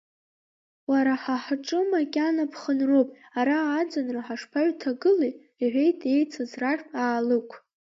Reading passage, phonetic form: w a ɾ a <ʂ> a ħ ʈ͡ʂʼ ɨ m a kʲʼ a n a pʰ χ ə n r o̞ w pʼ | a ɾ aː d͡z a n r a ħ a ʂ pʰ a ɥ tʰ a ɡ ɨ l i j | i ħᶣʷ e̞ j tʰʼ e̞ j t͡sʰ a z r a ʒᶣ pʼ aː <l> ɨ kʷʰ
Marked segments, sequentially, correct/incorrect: incorrect, correct

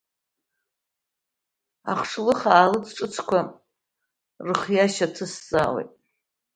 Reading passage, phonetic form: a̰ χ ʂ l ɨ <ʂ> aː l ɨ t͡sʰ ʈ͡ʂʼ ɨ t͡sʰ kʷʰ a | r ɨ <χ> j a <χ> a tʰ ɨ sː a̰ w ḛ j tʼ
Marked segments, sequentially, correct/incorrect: incorrect, correct, incorrect

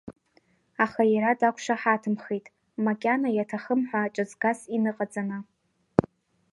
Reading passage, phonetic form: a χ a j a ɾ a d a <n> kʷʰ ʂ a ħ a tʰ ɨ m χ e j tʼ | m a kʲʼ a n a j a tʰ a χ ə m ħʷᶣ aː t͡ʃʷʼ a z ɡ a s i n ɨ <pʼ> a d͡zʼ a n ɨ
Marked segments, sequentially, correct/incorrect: incorrect, incorrect

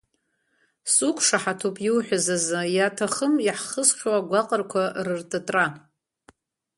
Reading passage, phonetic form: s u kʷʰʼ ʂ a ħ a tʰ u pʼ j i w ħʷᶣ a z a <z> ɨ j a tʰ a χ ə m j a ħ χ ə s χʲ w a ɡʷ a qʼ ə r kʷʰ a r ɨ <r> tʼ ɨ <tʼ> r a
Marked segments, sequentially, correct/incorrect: correct, correct, correct

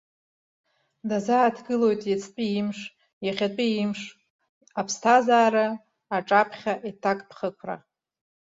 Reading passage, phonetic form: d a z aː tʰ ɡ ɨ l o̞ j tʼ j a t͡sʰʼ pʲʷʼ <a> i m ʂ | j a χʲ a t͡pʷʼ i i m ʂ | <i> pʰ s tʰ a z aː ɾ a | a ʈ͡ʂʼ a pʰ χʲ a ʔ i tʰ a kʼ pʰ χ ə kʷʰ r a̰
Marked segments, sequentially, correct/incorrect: incorrect, incorrect

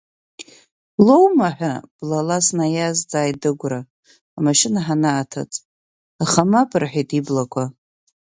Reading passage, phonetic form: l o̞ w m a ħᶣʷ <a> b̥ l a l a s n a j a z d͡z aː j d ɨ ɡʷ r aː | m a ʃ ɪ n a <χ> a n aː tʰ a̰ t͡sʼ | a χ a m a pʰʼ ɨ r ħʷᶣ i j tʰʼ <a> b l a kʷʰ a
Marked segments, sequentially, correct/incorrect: correct, incorrect, incorrect

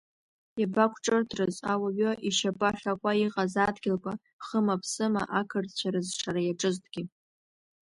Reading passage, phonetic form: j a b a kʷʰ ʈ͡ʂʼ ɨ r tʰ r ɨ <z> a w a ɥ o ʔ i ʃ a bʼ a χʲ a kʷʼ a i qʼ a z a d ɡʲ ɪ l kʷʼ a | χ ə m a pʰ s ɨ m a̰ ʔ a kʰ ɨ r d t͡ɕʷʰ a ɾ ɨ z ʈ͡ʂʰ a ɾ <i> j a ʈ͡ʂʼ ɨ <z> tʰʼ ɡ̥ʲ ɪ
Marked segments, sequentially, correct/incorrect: correct, incorrect, correct

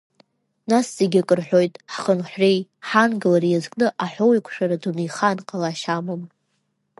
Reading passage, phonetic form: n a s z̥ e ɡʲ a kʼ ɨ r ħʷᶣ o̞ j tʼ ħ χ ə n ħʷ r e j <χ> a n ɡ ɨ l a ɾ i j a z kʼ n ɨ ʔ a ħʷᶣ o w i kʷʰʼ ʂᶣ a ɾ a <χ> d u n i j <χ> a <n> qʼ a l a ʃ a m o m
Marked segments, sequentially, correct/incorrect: incorrect, incorrect, correct, correct

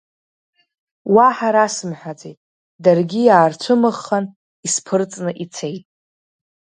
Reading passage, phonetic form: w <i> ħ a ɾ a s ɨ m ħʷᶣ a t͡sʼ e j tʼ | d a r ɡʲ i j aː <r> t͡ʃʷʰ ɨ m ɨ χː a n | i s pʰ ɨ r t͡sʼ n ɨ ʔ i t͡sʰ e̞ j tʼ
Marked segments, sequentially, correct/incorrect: incorrect, correct

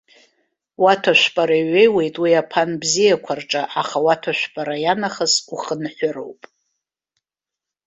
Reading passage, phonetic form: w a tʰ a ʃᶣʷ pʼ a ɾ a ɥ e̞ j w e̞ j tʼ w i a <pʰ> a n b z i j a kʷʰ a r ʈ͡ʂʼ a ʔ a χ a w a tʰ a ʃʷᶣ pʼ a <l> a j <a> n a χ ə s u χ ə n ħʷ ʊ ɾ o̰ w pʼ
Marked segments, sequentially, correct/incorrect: correct, incorrect, correct

